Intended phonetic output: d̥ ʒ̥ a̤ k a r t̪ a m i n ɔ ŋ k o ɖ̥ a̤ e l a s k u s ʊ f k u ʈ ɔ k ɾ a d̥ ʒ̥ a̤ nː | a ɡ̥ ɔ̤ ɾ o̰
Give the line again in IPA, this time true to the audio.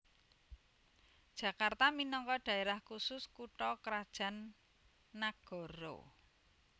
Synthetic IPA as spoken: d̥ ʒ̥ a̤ k a r t̪ a m i n ɔ ŋ k ɔ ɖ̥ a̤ e ɾ a h k u s ʊ s k u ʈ ɔ k ɾ a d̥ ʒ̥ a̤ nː | a ɡ̥ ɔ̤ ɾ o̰